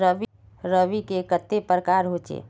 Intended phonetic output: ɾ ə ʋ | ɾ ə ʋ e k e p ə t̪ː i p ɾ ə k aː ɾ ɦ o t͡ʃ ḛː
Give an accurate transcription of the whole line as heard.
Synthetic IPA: ɾ ə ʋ | ɾ ə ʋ i k e k ə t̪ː e p ɾ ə k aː ɾ ɦ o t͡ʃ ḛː